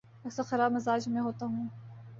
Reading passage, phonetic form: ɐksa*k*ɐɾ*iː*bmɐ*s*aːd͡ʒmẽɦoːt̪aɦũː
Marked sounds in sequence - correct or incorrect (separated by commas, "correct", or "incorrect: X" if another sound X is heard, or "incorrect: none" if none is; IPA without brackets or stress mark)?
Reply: incorrect: x, incorrect: aː, incorrect: z